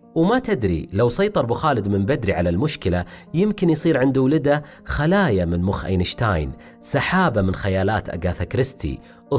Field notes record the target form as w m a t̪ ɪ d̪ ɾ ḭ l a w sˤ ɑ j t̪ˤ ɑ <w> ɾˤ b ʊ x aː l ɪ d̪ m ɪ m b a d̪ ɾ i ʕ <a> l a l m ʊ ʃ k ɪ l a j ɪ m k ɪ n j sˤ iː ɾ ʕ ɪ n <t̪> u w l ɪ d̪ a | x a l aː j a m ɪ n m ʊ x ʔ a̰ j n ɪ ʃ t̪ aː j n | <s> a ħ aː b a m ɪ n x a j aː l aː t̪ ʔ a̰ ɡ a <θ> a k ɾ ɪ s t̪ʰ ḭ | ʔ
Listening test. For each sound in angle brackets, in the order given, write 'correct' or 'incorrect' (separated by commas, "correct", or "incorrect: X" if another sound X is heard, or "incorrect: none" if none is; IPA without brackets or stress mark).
incorrect: none, correct, incorrect: d̪, correct, correct